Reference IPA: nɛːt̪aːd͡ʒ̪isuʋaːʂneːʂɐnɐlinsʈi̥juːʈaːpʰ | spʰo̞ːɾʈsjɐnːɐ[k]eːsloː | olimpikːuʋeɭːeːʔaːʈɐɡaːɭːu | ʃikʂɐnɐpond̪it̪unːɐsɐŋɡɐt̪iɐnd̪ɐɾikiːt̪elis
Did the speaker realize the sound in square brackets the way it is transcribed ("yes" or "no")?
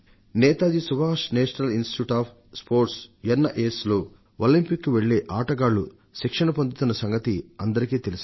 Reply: no